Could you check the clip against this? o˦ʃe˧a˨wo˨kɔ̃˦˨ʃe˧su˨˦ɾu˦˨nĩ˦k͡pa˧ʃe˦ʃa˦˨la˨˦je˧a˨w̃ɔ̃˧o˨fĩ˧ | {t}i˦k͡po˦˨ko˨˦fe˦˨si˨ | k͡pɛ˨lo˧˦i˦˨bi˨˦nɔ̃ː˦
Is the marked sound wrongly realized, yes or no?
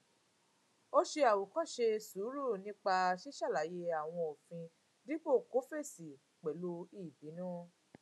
yes